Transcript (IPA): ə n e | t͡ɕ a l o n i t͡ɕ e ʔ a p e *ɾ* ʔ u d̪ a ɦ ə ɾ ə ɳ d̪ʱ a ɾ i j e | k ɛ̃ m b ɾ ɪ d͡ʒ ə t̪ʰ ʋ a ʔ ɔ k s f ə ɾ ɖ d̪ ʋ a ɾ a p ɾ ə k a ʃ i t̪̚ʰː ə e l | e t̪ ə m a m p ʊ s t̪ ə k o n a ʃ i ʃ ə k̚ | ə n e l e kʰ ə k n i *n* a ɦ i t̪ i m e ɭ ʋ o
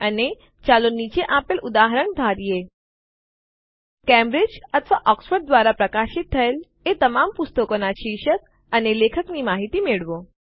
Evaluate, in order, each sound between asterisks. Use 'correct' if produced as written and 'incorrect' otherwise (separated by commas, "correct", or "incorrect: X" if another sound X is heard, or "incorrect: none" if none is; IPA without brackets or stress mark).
incorrect: l, incorrect: m